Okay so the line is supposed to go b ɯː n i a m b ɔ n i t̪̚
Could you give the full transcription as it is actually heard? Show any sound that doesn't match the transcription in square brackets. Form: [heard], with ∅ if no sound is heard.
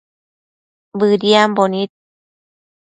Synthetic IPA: b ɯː [d] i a m b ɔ n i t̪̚